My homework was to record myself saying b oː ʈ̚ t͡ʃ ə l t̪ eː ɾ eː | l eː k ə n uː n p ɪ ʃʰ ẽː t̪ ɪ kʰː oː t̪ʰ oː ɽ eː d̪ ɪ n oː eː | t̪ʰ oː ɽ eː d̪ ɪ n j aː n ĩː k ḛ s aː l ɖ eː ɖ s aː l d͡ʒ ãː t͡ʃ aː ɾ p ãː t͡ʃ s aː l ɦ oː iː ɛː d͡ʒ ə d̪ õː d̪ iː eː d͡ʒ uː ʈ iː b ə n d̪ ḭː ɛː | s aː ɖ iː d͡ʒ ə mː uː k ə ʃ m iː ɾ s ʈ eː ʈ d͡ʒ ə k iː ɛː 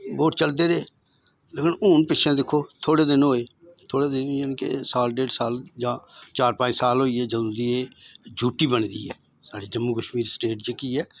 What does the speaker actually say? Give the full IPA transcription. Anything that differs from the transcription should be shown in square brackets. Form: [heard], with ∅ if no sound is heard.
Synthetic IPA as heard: b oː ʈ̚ t͡ʃ ə l [d̪] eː ɾ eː | l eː k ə n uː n p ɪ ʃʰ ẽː [d̪] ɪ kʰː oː t̪ʰ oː ɽ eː d̪ ɪ n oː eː | t̪ʰ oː ɽ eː d̪ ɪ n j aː n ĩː k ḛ s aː l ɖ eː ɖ s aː l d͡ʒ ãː t͡ʃ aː ɾ p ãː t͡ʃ s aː l ɦ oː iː ɛː d͡ʒ ə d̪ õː d̪ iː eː d͡ʒ uː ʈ iː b ə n d̪ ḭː ɛː | s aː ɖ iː d͡ʒ ə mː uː k ə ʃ m iː ɾ s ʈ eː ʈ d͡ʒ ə k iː ɛː

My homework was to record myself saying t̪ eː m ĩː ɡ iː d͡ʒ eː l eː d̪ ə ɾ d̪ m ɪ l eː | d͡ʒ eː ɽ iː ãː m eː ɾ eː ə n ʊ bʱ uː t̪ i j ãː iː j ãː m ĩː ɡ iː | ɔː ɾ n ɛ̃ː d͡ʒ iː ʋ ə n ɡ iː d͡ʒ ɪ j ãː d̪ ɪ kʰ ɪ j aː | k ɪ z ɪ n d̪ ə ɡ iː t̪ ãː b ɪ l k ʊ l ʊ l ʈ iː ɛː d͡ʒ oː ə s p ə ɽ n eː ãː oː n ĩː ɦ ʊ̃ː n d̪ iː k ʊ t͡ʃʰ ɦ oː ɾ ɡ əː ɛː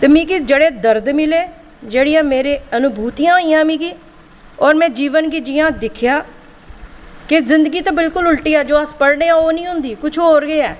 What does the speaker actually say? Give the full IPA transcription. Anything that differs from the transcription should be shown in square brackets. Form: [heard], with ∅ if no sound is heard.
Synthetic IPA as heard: t̪ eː m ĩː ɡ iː d͡ʒ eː [ɽ] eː d̪ ə ɾ d̪ m ɪ l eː | d͡ʒ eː ɽ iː ãː m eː ɾ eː ə n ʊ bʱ uː t̪ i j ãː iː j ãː m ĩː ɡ iː | ɔː ɾ [m] ɛ̃ː d͡ʒ iː ʋ ə n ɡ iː d͡ʒ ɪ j ãː d̪ ɪ kʰ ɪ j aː | k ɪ z ɪ n d̪ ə ɡ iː t̪ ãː b ɪ l k ʊ l ʊ l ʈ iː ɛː d͡ʒ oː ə s p ə ɽ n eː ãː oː n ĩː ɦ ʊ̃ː n d̪ iː k ʊ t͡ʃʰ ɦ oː ɾ ɡ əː ɛː

